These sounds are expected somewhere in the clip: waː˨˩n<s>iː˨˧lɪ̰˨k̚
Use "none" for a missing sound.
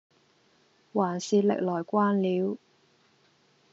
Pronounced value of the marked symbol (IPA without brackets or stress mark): s